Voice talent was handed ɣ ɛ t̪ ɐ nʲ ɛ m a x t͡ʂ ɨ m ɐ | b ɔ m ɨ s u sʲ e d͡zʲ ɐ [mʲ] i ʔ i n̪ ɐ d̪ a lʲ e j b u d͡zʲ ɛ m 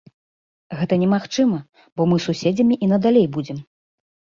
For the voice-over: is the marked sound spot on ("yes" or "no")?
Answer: yes